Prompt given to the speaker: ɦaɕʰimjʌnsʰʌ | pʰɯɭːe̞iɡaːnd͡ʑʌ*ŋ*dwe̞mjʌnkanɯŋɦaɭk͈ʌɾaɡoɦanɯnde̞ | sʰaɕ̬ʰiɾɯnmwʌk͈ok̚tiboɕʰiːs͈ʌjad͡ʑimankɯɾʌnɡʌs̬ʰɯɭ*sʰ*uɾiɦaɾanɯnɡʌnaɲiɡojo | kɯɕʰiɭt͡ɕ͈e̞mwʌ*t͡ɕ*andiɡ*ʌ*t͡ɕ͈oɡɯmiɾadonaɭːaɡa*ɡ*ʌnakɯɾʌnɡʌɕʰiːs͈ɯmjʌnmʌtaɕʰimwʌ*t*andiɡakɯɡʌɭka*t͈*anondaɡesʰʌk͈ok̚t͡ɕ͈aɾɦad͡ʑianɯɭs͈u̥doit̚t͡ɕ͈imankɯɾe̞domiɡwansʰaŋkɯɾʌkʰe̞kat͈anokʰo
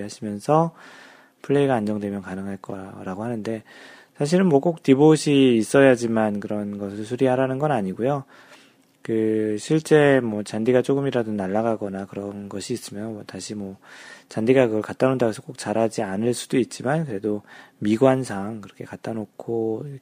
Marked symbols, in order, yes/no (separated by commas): yes, yes, yes, no, yes, no, yes